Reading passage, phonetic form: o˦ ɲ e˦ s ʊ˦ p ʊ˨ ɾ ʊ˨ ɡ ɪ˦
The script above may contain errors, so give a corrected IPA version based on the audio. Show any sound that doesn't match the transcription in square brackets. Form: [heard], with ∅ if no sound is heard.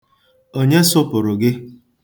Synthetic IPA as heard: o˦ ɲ e˦ s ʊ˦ p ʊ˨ ɾ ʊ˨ ɡ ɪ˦

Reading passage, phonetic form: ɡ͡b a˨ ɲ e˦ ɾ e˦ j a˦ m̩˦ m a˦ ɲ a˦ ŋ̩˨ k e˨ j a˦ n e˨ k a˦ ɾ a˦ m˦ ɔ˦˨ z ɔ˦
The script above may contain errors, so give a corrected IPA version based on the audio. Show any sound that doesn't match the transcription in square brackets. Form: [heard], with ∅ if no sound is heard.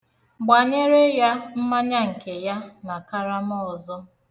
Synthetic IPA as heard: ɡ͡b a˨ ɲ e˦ ɾ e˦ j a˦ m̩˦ m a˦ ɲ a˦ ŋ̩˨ k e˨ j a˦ n [a˨] k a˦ ɾ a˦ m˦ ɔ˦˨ z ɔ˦

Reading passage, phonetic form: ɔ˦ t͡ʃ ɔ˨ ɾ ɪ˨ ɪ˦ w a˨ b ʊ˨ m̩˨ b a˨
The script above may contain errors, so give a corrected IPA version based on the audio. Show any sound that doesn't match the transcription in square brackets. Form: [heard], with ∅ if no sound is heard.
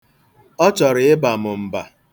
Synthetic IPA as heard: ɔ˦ t͡ʃ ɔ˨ ɾ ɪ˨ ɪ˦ [b] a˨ [m] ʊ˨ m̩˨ b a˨

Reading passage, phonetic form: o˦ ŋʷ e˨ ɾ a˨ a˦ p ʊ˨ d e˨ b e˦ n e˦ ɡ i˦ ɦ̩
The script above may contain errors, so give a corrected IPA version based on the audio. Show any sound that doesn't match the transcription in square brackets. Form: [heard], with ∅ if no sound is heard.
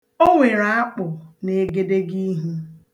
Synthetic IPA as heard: o˦ ŋʷ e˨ ɾ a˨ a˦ [k͡p] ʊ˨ [n] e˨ [ɡ] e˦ [d] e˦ ɡ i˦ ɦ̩

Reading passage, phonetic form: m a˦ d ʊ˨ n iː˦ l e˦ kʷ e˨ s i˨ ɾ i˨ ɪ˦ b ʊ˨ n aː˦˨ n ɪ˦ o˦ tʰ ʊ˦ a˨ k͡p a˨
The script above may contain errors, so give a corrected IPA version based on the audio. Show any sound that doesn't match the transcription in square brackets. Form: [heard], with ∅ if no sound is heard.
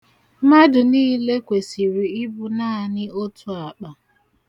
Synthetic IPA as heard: m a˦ d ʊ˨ n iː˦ l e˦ kʷ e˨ s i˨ ɾ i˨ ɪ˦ b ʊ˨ n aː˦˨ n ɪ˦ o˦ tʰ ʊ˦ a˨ k͡p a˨

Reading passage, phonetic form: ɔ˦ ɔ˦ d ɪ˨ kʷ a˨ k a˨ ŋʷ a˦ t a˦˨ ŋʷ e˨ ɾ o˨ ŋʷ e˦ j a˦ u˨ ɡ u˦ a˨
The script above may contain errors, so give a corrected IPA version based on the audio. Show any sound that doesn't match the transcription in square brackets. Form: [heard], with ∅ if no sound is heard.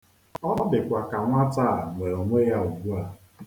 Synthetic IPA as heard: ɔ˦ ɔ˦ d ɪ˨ kʷ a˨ k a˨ ŋʷ a˦ t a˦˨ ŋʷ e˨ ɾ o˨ ŋʷ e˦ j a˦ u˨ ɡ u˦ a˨

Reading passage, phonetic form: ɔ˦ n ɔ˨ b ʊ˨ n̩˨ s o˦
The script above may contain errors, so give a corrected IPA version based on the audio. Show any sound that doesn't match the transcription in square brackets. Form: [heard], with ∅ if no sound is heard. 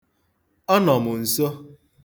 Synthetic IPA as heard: ɔ˦ n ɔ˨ [m] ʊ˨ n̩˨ s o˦

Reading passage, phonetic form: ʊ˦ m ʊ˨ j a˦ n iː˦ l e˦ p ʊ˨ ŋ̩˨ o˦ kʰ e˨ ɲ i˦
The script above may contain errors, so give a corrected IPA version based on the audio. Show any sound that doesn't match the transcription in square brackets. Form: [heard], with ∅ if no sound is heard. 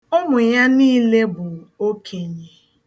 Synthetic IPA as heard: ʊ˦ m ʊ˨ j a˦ n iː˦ l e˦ [b] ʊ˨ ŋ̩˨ o˦ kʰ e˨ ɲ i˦

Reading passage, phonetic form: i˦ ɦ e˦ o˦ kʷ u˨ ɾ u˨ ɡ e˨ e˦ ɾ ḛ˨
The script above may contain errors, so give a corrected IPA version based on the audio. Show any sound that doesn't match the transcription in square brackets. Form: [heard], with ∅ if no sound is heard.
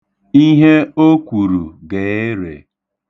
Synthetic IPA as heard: i˦ ɦ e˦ o˦ kʷ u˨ ɾ u˨ ɡ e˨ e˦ ɾ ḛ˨

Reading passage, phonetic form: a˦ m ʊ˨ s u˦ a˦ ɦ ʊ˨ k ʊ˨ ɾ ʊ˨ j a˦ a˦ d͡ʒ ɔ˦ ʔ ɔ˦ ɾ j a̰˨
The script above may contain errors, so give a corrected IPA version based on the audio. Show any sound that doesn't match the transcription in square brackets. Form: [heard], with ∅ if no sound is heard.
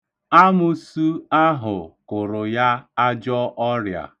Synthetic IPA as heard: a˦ m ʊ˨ s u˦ a˦ ɦ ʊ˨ k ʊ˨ ɾ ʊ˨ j a˦ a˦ d͡ʒ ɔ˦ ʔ ɔ˦ ɾ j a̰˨

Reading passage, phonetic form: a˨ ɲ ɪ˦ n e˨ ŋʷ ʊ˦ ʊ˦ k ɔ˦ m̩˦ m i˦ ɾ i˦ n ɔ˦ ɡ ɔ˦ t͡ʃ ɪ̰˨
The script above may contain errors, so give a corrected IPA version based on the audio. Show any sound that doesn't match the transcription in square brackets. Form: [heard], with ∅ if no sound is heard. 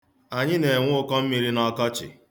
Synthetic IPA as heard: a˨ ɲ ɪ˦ n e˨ ŋʷ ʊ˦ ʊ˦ k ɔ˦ m̩˦ m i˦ ɾ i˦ n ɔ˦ [k] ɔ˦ t͡ʃ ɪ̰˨

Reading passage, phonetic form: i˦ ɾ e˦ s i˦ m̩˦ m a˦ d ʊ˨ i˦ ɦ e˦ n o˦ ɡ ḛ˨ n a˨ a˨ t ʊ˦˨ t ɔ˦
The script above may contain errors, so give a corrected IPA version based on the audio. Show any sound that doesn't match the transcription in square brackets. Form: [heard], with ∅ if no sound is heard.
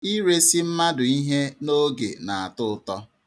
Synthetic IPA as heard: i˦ ɾ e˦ s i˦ m̩˦ m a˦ d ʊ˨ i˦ ɦ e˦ n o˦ ɡ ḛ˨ n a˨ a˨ t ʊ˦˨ t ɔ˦

